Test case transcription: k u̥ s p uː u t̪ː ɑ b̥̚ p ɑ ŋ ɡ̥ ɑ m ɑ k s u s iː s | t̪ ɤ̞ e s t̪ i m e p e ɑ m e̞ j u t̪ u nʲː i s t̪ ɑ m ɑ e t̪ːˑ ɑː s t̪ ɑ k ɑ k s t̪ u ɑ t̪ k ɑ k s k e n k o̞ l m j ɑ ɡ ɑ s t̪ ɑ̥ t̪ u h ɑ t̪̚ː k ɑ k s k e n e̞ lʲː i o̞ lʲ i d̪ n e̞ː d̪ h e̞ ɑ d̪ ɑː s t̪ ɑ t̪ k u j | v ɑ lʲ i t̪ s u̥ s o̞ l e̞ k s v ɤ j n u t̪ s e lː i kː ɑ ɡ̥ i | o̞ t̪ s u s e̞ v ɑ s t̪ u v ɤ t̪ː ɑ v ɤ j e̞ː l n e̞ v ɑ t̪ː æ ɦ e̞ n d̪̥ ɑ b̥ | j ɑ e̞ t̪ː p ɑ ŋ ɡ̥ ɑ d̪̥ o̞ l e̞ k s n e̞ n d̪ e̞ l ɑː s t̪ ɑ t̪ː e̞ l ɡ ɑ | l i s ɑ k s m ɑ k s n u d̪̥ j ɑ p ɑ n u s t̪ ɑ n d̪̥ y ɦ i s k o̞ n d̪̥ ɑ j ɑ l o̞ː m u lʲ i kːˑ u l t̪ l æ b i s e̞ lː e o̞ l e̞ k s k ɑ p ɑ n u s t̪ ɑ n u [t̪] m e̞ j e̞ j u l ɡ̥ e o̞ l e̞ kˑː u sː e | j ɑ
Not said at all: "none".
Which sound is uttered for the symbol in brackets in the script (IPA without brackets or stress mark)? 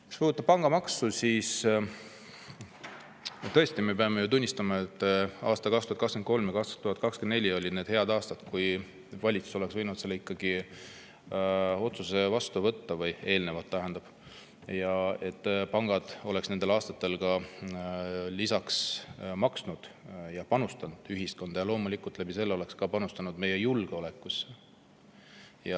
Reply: d̪